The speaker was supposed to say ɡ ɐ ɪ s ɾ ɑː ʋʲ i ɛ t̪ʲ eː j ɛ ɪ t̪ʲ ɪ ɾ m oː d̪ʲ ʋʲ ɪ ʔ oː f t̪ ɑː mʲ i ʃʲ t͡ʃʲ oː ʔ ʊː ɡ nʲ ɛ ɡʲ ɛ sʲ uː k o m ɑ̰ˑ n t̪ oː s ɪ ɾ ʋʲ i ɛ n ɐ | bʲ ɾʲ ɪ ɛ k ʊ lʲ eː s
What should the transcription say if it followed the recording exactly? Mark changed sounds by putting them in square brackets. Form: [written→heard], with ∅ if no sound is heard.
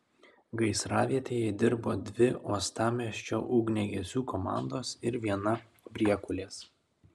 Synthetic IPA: ɡ ɐ ɪ s ɾ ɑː ʋʲ i ɛ t̪ʲ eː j ɛ ɪ [t̪ʲ→d̪ʲ] ɪ ɾ [m→b] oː d̪ʲ ʋʲ ɪ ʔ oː [f→s] t̪ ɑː mʲ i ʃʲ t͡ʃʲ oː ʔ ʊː ɡ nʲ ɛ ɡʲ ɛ sʲ uː k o m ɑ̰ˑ n [t̪→d̪] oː s ɪ ɾ ʋʲ i ɛ n ɐ | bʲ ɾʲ [ɪ→i] ɛ k ʊ lʲ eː s